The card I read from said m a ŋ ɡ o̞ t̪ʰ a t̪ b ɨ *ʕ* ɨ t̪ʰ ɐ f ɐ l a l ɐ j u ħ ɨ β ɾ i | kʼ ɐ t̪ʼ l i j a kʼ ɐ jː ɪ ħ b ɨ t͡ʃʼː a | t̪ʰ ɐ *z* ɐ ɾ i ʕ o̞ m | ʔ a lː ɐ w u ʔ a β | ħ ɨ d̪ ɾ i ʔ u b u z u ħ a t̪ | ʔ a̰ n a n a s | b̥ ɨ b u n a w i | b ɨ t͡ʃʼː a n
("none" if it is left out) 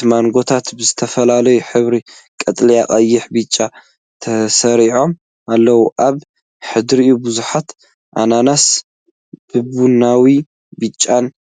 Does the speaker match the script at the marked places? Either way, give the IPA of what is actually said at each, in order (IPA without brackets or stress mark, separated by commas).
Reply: z, s